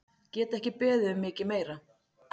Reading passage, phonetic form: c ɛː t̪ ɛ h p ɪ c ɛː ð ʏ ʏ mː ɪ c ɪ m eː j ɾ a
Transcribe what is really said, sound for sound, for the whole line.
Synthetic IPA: c ɛː t̪ ɛ h c ɪ p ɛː ð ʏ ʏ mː ɪː c ɪ m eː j ɾ a